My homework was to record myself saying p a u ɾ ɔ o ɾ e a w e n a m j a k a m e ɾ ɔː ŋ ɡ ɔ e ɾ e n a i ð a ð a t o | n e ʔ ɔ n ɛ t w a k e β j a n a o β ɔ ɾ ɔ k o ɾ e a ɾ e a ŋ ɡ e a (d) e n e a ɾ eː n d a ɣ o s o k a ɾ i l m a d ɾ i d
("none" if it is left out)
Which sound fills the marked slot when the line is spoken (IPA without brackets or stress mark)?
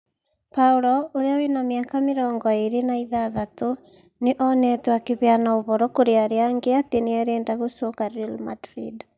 t